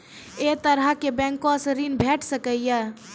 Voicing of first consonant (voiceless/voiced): voiceless